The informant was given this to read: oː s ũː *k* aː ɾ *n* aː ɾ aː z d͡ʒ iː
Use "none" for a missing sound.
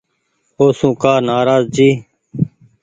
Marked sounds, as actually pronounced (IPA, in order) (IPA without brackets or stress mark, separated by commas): k, n